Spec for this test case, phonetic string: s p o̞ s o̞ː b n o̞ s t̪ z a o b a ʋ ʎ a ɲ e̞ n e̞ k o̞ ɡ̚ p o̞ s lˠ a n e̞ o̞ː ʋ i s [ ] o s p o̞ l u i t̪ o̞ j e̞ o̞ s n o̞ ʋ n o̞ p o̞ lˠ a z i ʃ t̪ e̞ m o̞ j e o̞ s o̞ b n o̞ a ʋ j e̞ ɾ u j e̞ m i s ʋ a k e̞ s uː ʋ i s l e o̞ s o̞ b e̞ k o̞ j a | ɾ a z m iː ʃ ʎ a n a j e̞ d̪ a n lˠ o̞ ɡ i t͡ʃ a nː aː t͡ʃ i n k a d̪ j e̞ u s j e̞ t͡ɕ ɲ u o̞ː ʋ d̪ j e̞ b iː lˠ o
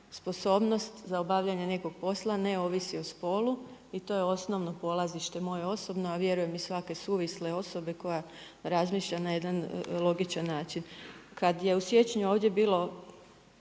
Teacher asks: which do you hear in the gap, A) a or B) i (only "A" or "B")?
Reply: B